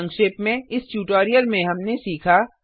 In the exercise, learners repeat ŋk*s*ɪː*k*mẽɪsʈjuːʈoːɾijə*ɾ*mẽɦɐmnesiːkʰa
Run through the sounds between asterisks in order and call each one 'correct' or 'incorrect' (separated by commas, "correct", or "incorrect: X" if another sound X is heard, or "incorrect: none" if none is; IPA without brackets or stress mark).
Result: incorrect: ʃ, incorrect: p, incorrect: l